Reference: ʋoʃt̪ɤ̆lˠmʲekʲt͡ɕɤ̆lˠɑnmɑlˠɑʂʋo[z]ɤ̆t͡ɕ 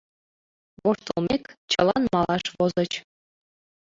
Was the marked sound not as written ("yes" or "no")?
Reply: no